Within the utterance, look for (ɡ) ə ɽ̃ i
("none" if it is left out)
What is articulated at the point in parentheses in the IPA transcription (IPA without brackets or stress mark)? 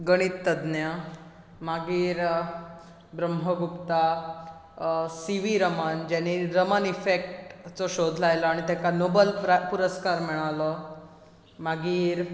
ɡ